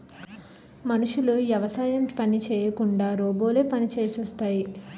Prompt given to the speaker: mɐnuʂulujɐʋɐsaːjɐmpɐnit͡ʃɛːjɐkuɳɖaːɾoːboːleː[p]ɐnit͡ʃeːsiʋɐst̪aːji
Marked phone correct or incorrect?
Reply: correct